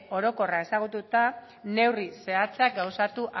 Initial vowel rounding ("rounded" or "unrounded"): rounded